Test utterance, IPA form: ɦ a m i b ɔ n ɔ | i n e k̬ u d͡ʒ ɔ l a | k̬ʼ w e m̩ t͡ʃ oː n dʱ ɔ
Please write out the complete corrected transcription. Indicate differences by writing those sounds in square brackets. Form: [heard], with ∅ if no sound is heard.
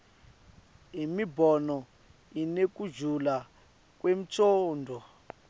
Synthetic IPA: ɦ [i] m i b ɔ n ɔ | i n e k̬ u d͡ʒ [u] l a | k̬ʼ w e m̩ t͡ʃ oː n dʱ ɔ